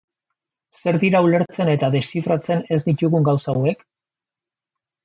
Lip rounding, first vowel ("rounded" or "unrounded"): unrounded